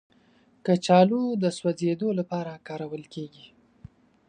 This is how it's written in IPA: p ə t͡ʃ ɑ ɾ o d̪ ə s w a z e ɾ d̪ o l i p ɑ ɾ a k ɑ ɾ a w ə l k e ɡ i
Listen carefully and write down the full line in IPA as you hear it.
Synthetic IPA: k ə t͡ʃ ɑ l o d̪ ə s w a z e d̪ o l a p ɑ ɾ a k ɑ ɾ a w ə l k e ɡ i